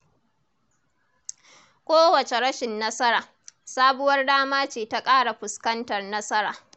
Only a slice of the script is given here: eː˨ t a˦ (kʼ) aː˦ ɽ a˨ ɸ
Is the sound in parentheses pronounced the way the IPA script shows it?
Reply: yes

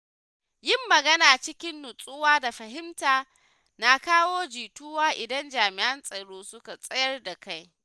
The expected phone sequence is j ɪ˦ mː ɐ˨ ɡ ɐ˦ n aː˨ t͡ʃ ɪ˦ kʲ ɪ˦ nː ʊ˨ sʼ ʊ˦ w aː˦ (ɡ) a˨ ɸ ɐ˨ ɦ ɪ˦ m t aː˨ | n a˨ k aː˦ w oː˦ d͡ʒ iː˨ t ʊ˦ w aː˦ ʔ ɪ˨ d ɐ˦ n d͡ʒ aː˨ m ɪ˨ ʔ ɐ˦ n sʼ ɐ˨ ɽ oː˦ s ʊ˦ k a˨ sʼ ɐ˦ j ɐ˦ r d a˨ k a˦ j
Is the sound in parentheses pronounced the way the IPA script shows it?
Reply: no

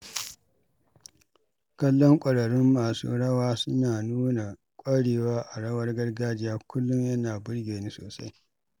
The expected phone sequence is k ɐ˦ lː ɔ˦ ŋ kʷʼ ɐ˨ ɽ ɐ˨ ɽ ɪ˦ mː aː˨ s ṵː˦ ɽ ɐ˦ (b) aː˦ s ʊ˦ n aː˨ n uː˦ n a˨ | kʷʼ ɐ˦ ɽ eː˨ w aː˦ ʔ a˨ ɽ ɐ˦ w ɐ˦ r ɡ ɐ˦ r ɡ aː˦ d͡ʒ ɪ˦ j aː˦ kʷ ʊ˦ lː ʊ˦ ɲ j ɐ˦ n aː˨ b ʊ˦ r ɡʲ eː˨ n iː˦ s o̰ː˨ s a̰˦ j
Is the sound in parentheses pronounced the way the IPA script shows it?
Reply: no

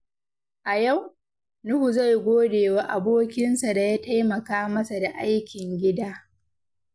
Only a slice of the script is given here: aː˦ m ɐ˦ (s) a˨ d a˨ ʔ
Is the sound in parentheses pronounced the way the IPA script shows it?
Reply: yes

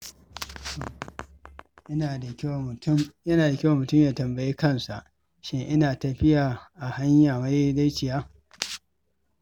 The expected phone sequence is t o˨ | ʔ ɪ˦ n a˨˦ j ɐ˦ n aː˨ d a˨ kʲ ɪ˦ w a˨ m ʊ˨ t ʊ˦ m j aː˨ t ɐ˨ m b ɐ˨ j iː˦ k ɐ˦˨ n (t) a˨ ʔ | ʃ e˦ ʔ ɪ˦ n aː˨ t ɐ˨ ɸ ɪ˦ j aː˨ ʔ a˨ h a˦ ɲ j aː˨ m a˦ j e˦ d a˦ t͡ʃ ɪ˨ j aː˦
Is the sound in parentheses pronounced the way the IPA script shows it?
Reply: no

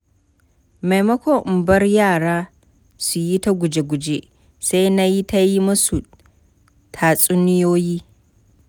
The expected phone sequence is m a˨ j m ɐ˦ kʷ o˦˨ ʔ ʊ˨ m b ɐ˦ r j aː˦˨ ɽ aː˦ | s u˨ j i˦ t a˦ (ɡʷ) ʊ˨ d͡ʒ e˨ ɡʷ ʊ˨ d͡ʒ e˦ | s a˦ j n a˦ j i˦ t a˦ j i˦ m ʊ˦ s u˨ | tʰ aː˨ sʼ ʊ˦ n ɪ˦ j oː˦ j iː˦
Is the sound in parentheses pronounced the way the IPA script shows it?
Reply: yes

